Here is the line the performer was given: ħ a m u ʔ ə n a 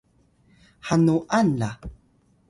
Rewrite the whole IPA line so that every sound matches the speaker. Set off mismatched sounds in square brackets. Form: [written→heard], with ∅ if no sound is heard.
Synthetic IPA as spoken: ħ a [m→n] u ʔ [ə→a] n a

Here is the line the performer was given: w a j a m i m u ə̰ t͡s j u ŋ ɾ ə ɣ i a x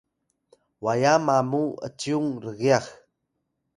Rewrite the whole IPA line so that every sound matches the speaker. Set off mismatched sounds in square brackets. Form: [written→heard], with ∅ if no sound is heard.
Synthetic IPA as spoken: w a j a m [i→a] m u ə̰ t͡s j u ŋ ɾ ə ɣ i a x

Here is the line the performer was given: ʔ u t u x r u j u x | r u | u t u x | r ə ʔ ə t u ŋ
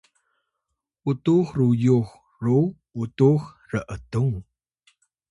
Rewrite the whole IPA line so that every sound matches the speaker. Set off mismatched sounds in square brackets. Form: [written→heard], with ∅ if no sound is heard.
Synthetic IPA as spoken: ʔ u t u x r u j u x | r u | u t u x | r ə ʔ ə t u ŋ

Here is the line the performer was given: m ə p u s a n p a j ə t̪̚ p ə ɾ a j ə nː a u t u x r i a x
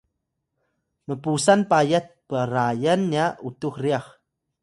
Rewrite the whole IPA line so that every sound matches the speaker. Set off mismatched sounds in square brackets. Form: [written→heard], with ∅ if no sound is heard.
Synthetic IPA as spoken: m ə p u s a n p a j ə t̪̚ p ə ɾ a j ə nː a u t u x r i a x

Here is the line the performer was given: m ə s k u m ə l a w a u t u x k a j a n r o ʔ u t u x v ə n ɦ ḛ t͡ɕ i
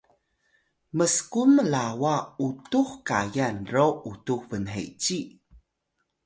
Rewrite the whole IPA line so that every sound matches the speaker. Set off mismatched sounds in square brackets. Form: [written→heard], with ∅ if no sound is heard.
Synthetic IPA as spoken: m ə s k u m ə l a w a u t u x k a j a n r o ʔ u t u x v ə n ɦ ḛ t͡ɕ i

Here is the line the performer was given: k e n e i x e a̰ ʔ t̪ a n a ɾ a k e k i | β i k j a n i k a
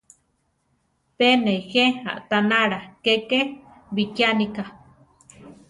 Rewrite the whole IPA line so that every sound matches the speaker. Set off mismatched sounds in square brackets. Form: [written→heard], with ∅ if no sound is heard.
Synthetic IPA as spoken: [k→p] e n e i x e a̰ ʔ t̪ a n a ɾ a k e k [i→e] | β i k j a n i k a

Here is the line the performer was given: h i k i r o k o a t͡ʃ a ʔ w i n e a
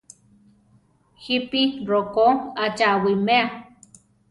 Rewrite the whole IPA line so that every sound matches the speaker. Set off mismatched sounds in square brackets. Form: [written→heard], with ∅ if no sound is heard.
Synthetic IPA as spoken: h i [k→p] i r o k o a t͡ʃ a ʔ w i [n→m] e a

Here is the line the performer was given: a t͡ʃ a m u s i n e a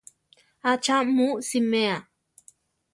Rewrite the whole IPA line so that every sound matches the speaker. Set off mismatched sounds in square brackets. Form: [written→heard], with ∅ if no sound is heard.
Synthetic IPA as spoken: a t͡ʃ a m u s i [n→m] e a

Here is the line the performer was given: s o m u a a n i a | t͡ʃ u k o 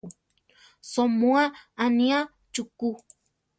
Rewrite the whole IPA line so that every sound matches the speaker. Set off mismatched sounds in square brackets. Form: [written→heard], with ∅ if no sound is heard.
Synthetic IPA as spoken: s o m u a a n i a | t͡ʃ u k [o→u]

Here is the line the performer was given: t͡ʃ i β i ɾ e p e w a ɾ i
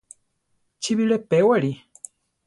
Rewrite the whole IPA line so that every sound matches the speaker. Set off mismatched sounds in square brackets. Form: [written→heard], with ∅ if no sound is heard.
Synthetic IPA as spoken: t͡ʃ i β i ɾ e p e w a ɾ i

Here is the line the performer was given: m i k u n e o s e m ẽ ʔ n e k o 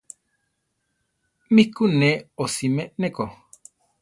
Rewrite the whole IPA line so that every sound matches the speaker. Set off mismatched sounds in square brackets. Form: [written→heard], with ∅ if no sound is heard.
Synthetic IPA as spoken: m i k u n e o s [e→i] m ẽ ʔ n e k o

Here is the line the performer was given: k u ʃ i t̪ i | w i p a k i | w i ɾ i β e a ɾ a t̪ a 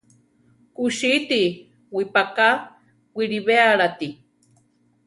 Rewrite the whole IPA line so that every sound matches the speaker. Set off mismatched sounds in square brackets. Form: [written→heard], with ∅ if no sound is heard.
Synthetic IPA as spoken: k u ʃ i t̪ i | w i p a k [i→a] | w i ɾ i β e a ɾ a t̪ [a→i]

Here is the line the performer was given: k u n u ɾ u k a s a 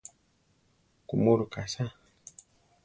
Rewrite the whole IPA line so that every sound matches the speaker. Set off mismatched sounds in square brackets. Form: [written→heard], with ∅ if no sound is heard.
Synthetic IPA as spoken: k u [n→m] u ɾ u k a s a

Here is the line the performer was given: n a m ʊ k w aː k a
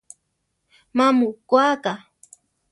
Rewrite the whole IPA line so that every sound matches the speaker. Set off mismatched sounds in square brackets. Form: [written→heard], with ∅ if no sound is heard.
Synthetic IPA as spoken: [n→m] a m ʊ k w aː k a

